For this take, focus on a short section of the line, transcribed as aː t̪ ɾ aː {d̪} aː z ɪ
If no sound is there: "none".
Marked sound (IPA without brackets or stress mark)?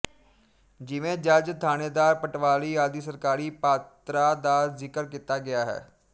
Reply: d̪